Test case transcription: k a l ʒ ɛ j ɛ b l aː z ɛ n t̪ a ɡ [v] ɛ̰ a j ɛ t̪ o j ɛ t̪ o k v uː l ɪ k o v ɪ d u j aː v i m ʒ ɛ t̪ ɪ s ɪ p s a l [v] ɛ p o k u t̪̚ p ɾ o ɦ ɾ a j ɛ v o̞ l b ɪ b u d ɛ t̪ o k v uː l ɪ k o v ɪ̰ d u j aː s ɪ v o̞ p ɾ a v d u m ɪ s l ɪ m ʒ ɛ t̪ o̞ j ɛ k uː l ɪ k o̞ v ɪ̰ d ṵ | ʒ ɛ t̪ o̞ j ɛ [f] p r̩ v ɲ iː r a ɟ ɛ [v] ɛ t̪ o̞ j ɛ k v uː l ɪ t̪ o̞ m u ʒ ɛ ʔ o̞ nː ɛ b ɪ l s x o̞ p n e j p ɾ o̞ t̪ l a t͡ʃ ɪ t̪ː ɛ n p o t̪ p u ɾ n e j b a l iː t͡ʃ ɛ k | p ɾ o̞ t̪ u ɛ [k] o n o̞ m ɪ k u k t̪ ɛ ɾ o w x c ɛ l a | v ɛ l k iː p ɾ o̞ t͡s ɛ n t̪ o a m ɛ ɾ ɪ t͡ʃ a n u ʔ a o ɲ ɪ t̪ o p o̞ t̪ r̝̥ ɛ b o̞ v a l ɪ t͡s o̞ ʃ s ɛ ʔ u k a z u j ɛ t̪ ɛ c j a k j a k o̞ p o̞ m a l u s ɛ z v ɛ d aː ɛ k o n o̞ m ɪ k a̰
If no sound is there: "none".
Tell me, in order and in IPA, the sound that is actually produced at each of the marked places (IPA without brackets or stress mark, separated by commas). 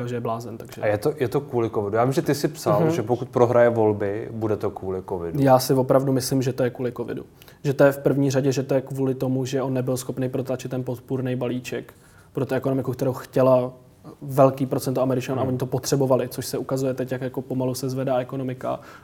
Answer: ʒ, ʒ, f, ʒ, k